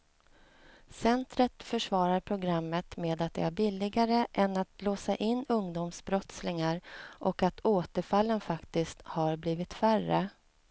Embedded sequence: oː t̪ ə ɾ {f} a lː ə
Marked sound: correct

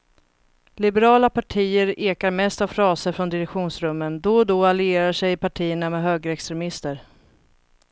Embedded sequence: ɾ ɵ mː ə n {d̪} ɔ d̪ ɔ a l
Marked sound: correct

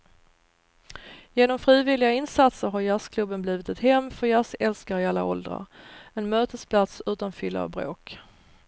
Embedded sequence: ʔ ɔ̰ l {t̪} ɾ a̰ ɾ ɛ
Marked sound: incorrect: d̪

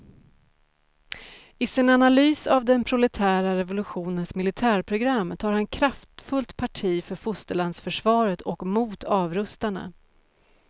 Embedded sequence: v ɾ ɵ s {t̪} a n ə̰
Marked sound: correct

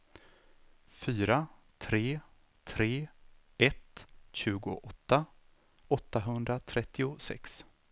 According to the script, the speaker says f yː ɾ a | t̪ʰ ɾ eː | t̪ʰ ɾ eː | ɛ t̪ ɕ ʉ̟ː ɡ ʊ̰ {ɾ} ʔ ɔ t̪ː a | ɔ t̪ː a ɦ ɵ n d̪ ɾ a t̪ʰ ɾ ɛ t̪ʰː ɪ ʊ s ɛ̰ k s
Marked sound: incorrect: none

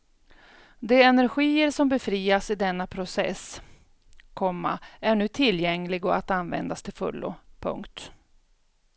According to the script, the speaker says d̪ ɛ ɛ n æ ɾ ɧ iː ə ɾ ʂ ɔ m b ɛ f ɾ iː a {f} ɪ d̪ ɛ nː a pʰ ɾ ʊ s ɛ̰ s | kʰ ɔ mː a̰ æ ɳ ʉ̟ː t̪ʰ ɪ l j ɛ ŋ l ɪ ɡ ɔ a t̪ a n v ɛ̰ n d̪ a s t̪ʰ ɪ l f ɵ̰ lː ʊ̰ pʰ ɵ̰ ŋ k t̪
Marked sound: incorrect: s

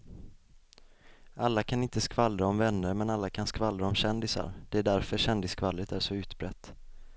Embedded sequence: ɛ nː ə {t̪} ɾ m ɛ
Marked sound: incorrect: none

